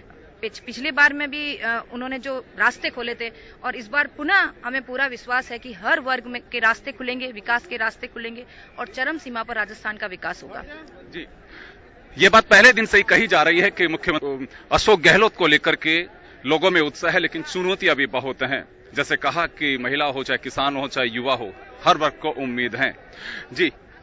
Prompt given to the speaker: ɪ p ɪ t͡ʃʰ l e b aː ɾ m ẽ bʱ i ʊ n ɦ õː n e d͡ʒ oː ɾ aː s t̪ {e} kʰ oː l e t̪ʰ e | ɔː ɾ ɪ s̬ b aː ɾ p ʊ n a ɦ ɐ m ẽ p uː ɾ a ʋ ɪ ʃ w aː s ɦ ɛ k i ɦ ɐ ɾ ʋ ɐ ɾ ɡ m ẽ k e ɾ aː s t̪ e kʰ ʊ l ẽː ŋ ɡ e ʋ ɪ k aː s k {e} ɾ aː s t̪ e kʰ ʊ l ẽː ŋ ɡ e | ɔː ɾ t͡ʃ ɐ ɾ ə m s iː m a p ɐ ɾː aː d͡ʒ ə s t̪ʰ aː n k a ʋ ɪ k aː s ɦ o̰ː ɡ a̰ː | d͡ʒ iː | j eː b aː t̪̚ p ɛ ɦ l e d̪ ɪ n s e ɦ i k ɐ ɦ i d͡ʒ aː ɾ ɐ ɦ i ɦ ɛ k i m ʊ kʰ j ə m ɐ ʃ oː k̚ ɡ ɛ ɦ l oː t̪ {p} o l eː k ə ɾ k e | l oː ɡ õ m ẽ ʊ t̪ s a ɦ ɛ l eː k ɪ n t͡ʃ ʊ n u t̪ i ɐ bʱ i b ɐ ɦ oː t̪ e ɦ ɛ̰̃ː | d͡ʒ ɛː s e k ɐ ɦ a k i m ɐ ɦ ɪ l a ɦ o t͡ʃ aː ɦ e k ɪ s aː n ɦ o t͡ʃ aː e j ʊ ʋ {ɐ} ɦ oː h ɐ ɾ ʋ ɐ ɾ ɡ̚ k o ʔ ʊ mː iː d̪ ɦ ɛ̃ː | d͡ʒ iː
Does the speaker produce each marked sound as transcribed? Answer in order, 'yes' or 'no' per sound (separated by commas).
yes, yes, no, no